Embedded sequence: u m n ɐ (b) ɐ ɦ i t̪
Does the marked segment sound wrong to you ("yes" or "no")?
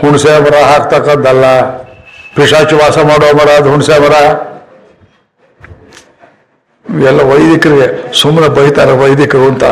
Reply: no